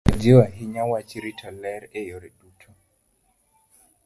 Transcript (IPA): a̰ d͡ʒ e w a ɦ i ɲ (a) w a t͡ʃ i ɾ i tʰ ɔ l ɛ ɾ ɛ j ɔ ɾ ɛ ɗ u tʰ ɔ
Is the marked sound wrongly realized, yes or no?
no